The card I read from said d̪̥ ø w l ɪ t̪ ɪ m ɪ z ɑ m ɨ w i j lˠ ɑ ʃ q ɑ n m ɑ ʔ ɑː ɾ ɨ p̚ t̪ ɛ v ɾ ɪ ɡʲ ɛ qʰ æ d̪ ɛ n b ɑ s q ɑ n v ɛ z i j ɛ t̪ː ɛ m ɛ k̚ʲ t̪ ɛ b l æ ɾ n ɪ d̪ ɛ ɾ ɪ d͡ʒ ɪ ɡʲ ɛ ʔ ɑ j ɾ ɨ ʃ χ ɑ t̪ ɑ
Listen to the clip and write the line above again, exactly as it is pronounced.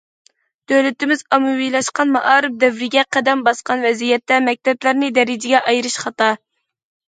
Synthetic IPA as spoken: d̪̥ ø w l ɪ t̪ ɪ m ɪ z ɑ m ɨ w i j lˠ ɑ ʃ q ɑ n m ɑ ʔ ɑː ɾ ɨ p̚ d̪ ɛ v ɾ ɪ ɡʲ ɛ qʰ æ d̪ ɛ m b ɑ s q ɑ n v ɛ z i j ɛ t̪ː ɛ m ɛ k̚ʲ t̪ ɛ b l æ ɾ n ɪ d̪ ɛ ɾ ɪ d͡ʒ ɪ ɡʲ ɛ ʔ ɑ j ɾ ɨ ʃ χ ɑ t̪ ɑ